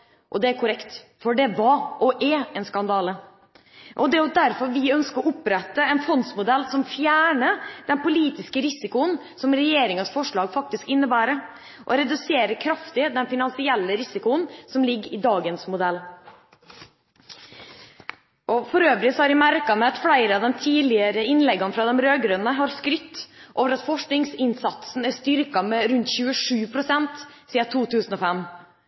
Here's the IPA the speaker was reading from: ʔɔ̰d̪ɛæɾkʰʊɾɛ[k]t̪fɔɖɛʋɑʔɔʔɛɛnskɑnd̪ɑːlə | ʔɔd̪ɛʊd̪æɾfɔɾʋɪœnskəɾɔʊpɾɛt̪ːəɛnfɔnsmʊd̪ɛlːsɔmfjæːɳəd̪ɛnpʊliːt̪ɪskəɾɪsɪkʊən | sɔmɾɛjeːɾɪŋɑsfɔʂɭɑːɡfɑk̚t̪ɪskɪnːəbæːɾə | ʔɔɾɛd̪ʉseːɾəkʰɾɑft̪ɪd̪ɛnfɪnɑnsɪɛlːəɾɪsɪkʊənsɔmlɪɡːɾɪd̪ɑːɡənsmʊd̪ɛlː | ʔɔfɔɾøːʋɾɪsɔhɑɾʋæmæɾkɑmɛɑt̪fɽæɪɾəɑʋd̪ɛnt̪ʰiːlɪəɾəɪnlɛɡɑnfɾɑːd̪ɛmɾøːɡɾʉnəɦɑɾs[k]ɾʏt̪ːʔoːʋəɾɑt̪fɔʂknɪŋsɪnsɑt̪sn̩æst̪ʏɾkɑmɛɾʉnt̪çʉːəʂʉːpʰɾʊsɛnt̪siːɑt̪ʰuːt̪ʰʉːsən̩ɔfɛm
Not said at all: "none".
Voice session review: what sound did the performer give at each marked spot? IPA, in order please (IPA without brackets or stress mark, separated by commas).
k, k